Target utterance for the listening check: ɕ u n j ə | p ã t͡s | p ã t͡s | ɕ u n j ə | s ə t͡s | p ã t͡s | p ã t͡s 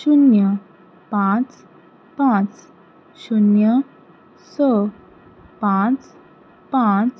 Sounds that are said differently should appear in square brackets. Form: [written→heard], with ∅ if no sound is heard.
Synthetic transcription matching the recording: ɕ u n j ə | p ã t͡s | p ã t͡s | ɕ u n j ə | s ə [t͡s→∅] | p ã t͡s | p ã t͡s